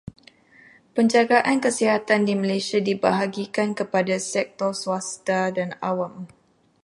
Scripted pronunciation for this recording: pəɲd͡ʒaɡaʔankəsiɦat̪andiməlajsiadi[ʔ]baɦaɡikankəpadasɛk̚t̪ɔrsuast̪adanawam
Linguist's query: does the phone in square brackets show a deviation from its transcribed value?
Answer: yes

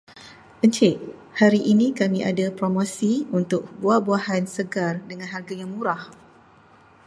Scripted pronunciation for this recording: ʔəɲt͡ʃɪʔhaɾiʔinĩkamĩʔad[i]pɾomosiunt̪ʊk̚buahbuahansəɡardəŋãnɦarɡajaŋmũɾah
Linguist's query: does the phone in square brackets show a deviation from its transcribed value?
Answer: yes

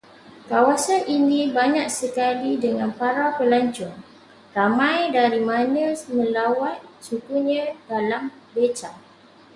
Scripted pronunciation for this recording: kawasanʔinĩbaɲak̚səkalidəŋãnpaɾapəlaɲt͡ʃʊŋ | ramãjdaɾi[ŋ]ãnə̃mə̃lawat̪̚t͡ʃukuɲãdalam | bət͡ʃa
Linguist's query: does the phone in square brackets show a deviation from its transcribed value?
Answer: yes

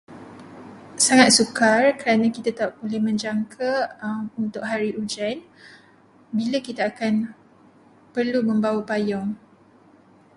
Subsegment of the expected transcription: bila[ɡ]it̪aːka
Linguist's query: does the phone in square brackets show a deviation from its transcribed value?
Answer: yes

